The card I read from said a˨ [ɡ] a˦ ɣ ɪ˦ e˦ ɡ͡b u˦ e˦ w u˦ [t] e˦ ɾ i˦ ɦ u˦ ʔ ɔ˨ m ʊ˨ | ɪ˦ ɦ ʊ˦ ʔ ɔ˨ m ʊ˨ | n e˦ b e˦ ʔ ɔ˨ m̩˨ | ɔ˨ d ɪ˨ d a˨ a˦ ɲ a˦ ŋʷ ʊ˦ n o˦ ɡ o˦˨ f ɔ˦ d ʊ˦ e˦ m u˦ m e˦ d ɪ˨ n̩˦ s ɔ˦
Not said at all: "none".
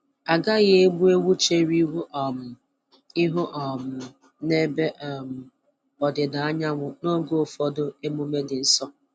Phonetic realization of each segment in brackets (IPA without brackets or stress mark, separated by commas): ɡ, t͡ʃ